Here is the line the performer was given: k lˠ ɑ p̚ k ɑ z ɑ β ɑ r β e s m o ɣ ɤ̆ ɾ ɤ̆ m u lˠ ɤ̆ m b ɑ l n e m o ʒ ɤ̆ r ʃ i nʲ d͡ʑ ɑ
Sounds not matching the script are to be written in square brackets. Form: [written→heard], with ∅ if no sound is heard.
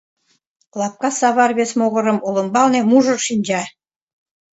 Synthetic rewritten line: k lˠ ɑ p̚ k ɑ [z→s] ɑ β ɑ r β e s m o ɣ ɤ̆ ɾ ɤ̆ m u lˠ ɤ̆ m b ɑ l n e m [o→u] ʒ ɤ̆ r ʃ i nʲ d͡ʑ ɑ